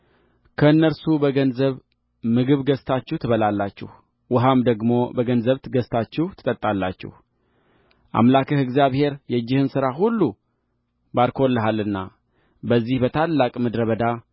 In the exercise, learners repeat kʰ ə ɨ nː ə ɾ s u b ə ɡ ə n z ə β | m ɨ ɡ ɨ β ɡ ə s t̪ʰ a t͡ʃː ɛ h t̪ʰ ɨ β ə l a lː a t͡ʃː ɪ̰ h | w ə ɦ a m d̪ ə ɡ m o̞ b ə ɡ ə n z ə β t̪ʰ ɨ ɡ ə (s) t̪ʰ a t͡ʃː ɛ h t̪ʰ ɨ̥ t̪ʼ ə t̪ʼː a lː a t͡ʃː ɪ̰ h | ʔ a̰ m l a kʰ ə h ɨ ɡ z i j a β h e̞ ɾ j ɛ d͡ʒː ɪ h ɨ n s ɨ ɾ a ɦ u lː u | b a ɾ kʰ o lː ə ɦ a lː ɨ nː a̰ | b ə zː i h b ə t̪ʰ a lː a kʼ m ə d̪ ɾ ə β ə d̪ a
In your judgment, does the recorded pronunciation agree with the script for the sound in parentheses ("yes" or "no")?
yes